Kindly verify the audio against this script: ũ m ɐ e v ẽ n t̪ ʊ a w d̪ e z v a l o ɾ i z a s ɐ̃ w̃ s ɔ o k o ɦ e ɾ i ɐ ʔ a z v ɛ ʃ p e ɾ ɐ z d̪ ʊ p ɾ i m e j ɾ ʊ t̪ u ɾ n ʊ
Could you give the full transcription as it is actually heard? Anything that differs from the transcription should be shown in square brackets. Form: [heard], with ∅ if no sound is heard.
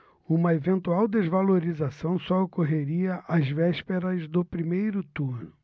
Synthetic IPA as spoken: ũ m ɐ e v ẽ n t̪ [u] a w d̪ e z v a l o ɾ i z a s ɐ̃ w̃ s ɔ o k o ɦ e ɾ i ɐ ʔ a z v ɛ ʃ p e ɾ ɐ z d̪ ʊ p ɾ i m e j ɾ ʊ t̪ u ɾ n ʊ